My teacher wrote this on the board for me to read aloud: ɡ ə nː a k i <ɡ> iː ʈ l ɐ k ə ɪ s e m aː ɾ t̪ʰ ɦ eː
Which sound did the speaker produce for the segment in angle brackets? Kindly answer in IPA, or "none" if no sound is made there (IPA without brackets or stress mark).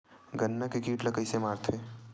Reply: k